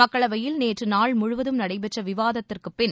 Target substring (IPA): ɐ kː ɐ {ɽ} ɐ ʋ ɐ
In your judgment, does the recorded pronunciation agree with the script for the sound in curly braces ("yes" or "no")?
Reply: no